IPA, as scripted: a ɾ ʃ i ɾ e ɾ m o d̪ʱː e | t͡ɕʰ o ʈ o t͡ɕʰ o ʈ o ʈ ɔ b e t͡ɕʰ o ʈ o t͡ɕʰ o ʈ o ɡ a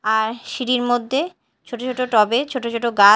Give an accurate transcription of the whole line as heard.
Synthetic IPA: a ɾ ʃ i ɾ i ɾ m o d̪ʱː e | t͡ɕʰ o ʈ o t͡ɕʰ o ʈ o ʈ ɔ b e t͡ɕʰ o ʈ o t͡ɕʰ o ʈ o ɡ a